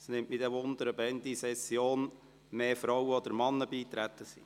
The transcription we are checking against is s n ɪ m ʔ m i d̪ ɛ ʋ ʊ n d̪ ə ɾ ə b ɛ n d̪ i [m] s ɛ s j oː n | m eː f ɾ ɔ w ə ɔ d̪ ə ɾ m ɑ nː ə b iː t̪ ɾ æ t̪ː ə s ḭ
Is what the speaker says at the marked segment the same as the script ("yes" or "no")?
no